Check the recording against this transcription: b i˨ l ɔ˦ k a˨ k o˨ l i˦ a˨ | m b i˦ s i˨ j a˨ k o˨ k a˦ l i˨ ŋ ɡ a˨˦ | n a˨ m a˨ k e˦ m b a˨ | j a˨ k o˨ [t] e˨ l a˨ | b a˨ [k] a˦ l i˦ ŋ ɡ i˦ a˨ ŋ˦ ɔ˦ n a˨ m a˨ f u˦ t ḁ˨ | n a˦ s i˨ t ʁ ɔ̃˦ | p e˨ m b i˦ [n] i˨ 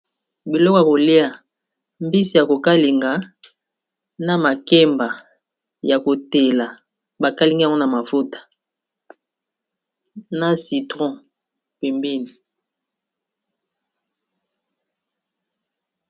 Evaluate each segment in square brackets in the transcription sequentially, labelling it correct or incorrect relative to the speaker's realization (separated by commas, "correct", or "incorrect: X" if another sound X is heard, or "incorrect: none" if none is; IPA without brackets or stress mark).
correct, correct, correct